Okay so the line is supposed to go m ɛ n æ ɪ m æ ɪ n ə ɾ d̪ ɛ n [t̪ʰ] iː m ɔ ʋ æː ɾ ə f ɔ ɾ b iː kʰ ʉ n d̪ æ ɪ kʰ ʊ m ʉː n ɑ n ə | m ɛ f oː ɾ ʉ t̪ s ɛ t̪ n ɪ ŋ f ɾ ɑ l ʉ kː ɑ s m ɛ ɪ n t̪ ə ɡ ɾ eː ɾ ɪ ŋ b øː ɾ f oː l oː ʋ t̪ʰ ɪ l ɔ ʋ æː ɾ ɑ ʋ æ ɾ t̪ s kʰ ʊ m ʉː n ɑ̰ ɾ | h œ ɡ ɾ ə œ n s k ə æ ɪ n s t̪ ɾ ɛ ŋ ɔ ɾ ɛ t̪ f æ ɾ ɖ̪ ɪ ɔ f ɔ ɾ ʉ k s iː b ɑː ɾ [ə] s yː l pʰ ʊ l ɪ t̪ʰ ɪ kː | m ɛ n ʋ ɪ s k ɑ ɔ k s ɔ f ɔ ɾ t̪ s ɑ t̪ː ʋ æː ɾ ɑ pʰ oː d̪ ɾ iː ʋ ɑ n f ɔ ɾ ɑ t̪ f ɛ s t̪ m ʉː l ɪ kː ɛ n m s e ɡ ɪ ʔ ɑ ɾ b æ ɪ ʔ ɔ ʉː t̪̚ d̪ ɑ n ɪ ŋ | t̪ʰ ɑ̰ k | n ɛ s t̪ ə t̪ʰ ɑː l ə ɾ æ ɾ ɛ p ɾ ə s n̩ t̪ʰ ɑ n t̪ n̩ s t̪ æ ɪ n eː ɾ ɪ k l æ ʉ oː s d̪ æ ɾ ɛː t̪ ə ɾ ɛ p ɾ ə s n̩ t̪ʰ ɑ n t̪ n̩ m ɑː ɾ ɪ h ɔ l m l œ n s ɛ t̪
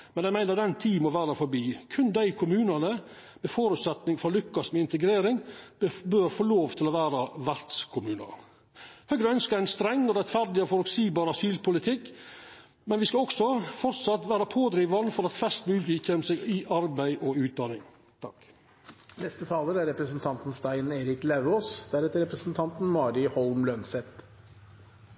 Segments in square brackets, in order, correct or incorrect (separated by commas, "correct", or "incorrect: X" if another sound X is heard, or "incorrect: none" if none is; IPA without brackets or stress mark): correct, incorrect: ɑ